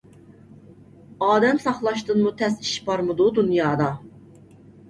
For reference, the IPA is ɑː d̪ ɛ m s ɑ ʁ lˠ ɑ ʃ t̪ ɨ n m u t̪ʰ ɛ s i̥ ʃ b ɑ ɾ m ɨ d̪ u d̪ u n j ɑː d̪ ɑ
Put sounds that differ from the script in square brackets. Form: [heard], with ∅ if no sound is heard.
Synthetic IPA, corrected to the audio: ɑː d̪ ɛ m s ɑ [χ] lˠ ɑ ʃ t̪ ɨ n m u t̪ʰ ɛ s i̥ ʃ b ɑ ɾ m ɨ d̪ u d̪ u n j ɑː d̪ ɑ